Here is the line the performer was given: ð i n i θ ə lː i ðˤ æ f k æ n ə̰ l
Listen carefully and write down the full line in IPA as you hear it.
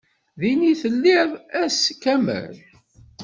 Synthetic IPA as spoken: ð i n i θ ə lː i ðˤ æ s k æ m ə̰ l